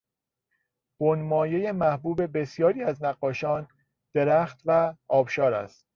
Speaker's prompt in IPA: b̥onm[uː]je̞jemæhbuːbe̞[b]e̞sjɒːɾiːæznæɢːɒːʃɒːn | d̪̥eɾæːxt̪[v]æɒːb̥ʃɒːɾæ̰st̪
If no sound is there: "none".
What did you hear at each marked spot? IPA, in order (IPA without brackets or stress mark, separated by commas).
ɒː, b, v